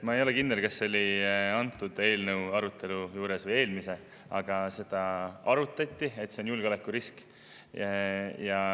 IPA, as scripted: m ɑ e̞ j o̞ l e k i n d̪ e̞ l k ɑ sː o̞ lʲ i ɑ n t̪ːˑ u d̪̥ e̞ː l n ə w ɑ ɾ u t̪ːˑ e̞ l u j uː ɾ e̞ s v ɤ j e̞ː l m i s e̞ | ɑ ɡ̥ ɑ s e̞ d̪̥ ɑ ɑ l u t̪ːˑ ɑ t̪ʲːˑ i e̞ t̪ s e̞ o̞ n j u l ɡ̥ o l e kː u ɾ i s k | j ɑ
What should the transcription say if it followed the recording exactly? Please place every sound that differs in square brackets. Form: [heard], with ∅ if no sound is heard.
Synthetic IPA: m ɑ e̞ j o̞ l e k i n d̪ e̞ l k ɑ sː o̞ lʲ i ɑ n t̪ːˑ u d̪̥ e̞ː l n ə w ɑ ɾ u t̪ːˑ e̞ l u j uː ɾ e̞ s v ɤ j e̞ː l m i s e̞ | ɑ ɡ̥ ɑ s e̞ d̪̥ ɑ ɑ [ɾ] u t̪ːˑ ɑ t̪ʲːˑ i e̞ t̪ s e̞ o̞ n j u l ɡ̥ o l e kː u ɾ i s k | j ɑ